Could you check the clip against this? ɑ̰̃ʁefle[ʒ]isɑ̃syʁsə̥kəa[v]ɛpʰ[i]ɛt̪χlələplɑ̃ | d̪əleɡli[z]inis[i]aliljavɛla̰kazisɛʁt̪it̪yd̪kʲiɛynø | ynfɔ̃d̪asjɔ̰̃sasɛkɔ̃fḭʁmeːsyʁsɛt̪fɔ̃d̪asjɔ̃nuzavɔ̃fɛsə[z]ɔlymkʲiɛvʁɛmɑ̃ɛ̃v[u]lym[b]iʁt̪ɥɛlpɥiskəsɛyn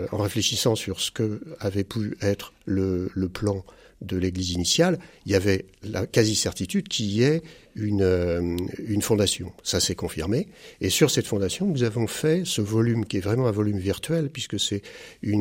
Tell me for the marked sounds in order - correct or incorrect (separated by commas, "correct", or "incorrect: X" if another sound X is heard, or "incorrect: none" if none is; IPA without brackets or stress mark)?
incorrect: ʃ, correct, incorrect: y, correct, incorrect: j, incorrect: v, incorrect: ɔ, incorrect: v